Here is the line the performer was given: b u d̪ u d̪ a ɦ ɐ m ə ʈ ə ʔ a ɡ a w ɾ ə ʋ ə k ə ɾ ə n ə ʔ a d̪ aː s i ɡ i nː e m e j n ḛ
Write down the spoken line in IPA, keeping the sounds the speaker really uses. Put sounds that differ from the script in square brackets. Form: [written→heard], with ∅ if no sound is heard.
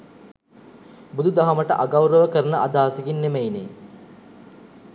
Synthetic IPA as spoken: b u d̪ u d̪ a ɦ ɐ m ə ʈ ə ʔ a ɡ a w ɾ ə ʋ ə k ə ɾ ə n ə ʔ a d̪ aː s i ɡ i nː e m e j n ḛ